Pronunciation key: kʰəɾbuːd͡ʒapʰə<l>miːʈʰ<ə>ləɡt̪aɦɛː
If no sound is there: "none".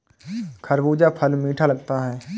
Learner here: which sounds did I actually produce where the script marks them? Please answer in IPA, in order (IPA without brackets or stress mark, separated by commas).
l, a